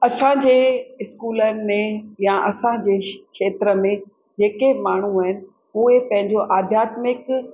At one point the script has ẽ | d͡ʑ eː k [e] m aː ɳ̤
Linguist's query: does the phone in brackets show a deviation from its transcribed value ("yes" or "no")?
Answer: no